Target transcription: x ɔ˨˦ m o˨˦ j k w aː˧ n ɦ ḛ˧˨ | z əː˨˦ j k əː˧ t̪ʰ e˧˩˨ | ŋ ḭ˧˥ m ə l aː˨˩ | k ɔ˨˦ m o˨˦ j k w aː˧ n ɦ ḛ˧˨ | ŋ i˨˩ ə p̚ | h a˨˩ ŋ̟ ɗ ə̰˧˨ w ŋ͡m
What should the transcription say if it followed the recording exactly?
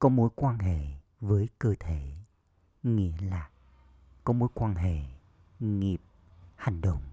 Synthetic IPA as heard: k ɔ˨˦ m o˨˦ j k w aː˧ n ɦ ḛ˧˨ | v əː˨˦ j k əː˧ t̪ʰ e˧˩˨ | ŋ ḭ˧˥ ə l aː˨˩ | k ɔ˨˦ m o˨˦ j k w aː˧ n ɦ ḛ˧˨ | ŋ i˨˩ ə p̚ | h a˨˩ ŋ̟ ɗ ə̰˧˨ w ŋ͡m